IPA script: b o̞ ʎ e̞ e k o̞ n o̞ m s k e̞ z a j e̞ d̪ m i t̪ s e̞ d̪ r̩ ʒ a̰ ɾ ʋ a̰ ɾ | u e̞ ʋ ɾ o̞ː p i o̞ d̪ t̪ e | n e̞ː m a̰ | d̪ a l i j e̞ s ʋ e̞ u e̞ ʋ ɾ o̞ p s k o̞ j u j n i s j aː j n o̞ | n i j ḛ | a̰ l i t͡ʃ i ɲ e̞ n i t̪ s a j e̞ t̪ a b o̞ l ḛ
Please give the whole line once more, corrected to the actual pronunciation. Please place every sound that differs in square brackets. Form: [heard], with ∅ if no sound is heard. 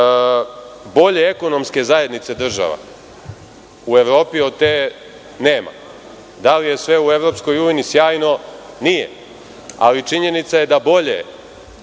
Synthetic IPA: b o̞ ʎ e̞ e k o̞ n o̞ m s k e̞ z a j e̞ d̪ [n] i t̪ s e̞ d̪ r̩ ʒ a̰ [∅] ʋ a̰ [∅] | u e̞ ʋ ɾ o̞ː p i o̞ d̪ t̪ e | n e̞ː m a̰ | d̪ a l i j e̞ s ʋ e̞ u e̞ ʋ ɾ o̞ p s k o̞ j u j n i s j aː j n o̞ | n i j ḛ | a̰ l i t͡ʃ i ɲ e̞ n i t̪ s a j e̞ [d̪] a b o̞ [ʎ] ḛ